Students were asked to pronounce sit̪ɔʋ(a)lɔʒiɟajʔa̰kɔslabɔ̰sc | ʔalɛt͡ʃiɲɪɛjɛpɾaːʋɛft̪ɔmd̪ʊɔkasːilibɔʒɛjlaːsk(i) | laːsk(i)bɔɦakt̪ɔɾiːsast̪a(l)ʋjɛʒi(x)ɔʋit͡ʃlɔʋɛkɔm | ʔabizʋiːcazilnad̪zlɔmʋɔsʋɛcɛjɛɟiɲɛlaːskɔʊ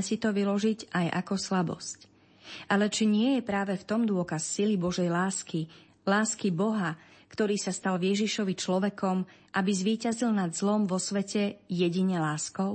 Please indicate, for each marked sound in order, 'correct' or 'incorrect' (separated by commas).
incorrect, correct, correct, correct, incorrect